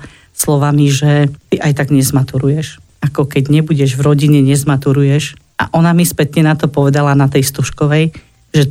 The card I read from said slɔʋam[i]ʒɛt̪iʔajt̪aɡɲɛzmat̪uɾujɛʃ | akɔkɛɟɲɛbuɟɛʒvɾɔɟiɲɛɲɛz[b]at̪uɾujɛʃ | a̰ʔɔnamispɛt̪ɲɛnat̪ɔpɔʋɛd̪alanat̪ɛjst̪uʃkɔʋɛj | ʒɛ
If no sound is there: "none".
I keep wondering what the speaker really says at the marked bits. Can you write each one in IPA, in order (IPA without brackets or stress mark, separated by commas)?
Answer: i, m